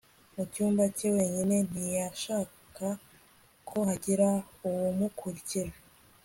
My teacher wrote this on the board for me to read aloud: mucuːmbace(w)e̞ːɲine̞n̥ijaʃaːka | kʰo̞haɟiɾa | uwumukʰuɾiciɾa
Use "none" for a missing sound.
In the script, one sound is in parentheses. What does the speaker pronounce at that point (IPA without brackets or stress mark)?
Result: w